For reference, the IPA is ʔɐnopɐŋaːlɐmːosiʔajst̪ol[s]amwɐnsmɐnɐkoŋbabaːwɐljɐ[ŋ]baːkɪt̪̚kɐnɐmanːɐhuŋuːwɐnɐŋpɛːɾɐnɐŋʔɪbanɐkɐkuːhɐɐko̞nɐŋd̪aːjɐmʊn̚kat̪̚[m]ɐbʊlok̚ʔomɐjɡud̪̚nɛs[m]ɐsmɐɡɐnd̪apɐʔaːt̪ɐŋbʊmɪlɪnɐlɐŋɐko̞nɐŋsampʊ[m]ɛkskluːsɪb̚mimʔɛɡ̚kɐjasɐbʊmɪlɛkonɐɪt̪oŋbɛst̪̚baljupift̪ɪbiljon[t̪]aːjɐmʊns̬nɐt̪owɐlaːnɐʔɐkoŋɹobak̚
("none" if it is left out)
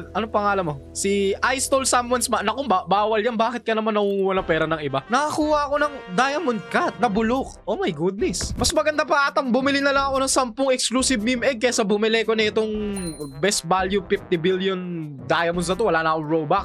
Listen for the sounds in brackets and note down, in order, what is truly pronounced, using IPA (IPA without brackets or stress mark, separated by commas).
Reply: s, n, n, m, ŋ, d̪